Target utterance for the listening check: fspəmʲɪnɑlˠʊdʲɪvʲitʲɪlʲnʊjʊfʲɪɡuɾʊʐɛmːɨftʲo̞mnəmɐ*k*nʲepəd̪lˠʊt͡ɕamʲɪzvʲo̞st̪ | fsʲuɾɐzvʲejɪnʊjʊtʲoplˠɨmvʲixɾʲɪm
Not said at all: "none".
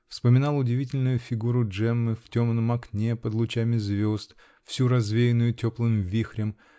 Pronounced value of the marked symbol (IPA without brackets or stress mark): k